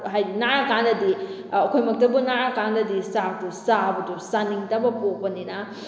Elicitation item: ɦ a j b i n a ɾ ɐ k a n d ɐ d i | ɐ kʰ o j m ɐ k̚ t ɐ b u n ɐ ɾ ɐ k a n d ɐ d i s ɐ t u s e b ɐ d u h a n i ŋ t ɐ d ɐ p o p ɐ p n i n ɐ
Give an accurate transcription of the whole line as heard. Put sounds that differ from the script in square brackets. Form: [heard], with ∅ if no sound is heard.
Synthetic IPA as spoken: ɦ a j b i n a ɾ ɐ k a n d ɐ d i | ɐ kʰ o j m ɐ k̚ t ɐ b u n [a] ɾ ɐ k a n d ɐ d i s [a] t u s [a] b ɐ d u [s] a n i ŋ t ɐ [b] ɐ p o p ɐ [∅] n i n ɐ